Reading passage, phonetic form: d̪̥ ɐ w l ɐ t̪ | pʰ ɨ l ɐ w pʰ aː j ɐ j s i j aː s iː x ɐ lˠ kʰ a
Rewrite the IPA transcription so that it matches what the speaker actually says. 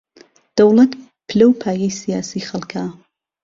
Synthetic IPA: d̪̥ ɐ w l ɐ t̪ | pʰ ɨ l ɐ w pʰ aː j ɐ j s i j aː s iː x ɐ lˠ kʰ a